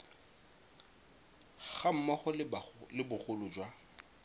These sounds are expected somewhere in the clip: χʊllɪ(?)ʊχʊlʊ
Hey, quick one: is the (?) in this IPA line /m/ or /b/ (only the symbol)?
b